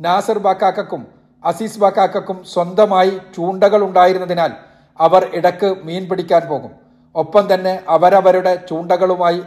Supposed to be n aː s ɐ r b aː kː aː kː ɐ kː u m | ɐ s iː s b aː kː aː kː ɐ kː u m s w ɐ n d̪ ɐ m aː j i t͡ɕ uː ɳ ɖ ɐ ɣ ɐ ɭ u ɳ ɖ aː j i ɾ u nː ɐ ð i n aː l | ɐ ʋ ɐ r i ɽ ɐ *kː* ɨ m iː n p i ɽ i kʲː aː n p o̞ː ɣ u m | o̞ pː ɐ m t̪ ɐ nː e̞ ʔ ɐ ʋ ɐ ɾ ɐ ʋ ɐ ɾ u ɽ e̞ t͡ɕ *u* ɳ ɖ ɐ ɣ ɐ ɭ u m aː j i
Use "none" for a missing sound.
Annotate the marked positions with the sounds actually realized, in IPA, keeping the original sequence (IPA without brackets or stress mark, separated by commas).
kː, uː